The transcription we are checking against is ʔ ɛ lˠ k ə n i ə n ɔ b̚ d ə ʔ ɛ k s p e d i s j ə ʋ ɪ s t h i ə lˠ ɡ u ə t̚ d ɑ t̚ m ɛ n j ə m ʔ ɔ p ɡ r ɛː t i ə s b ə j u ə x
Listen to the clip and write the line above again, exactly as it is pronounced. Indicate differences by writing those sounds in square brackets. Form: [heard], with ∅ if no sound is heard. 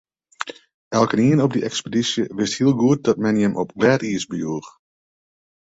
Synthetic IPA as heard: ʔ ɛ lˠ k ə n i ə n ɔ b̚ d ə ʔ ɛ k s p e d i s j ə ʋ ɪ s t h i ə lˠ ɡ u ə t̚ d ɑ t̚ m ɛ n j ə m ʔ ɔ p ɡ [l] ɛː t i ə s b ə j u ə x